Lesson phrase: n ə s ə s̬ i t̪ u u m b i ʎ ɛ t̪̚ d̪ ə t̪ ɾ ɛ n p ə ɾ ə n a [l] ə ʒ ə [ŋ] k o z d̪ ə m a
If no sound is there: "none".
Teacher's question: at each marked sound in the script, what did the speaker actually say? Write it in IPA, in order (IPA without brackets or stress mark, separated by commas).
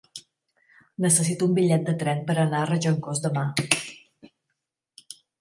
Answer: r, ŋ